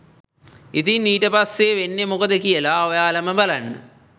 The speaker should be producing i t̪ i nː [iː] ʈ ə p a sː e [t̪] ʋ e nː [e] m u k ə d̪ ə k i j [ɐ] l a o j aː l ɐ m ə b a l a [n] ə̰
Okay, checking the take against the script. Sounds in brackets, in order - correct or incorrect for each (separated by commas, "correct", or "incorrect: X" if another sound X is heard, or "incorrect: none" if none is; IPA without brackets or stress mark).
correct, incorrect: none, correct, incorrect: ə, incorrect: nː